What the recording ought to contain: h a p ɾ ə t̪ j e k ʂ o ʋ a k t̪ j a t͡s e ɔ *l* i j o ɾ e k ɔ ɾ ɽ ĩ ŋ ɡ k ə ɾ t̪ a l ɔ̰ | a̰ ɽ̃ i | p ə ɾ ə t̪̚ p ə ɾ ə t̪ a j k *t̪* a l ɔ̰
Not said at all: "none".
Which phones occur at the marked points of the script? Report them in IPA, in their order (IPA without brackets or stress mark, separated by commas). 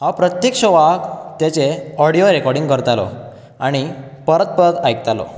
ɽ, t̪